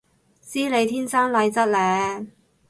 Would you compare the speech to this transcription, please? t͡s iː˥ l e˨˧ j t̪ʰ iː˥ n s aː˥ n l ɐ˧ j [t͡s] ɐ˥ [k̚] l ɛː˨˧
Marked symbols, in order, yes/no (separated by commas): yes, no